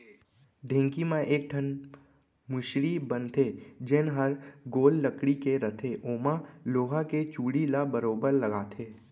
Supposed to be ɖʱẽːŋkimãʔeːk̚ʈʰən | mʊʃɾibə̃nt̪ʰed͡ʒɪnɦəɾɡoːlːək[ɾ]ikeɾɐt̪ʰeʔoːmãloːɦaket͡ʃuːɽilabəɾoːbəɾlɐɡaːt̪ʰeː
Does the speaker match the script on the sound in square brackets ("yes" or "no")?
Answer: no